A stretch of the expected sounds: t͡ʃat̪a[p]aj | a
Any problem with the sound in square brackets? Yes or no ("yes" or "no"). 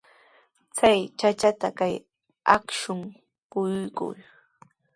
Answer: yes